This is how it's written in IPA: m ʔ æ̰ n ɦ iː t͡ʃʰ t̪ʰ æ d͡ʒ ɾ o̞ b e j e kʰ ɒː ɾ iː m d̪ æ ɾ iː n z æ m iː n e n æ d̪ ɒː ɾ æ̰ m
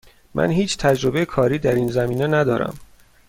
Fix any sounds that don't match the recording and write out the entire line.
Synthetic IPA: m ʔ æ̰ n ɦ iː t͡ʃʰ t̪ʰ æ d͡ʒ ɾ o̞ b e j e kʰ ɒː ɾ iː d̪ æ ɾ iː n z æ m iː n e n æ d̪ ɒː ɾ æ̰ m